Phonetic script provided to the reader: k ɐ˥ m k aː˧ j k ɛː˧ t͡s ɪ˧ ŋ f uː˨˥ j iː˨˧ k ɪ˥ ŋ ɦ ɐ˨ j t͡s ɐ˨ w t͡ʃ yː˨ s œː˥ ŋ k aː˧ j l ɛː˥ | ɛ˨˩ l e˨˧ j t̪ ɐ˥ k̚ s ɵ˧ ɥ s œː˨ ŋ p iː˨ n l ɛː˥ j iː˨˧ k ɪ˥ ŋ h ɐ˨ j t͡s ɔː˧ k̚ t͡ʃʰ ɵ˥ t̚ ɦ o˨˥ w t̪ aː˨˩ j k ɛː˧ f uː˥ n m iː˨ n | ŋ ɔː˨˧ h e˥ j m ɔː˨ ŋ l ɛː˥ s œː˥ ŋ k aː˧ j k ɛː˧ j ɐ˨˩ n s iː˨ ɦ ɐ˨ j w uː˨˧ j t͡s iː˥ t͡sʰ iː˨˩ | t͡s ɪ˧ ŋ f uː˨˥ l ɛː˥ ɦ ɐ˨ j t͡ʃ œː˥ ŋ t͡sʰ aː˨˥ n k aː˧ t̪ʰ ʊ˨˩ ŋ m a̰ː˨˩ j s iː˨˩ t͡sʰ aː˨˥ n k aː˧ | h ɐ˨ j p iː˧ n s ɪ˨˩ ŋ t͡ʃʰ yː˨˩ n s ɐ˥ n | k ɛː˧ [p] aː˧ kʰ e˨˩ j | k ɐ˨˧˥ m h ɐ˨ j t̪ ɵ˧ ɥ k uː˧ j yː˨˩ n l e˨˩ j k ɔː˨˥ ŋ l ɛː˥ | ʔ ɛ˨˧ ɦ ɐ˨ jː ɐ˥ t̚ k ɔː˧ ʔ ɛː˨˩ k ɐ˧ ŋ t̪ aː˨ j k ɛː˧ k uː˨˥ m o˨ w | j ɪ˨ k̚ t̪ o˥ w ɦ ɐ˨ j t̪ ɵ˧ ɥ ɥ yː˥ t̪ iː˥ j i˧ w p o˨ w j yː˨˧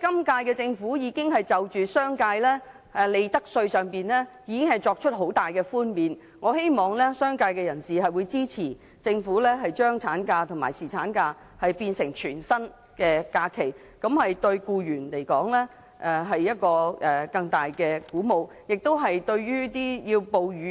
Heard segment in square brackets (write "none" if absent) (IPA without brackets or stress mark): k